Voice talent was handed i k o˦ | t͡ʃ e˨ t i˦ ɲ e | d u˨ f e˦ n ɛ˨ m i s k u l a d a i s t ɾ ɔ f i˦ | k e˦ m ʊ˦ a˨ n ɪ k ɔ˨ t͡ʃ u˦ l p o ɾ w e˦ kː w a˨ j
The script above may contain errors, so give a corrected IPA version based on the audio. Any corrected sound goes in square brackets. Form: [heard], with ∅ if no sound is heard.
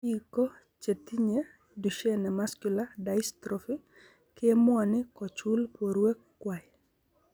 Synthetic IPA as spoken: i k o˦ | t͡ʃ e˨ t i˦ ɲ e | d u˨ [ʃ] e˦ n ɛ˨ m [a] s k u l a d a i s t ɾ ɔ f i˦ | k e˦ m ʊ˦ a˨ n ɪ k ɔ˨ t͡ʃ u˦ l p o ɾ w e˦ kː w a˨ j